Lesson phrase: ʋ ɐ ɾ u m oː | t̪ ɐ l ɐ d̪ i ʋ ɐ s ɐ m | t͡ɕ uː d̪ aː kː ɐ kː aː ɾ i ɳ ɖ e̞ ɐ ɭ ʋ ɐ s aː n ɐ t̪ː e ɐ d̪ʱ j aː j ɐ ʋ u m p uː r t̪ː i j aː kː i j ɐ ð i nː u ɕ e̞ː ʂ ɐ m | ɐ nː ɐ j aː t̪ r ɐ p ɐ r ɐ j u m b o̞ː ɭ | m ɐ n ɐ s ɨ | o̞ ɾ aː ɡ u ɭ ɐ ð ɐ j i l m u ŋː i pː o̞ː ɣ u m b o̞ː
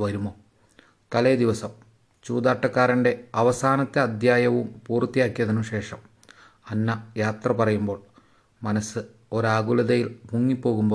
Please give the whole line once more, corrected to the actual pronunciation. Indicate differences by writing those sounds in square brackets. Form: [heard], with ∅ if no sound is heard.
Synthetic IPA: ʋ ɐ ɾ u m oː | t̪ ɐ l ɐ d̪ i ʋ ɐ s ɐ m | t͡ɕ uː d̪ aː [ʈː] ɐ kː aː ɾ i ɳ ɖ e̞ ɐ [∅] ʋ ɐ s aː n ɐ t̪ː e ɐ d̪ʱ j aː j ɐ ʋ u m p uː r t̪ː i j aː kː i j ɐ ð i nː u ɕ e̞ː ʂ ɐ m | ɐ nː ɐ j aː t̪ r ɐ p ɐ r ɐ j u m b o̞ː ɭ | m ɐ n ɐ s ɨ | o̞ ɾ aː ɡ u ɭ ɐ ð ɐ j i l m u ŋː i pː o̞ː ɣ u m b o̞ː